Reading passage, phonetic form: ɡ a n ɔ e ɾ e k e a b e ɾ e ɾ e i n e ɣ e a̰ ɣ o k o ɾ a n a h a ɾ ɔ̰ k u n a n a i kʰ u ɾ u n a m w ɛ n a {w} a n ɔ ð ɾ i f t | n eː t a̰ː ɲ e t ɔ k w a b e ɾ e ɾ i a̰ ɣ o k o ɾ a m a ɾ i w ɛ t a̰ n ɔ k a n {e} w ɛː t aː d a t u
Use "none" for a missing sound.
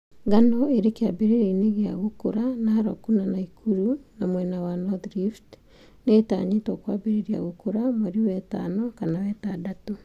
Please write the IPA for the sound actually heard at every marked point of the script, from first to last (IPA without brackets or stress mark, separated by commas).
w, a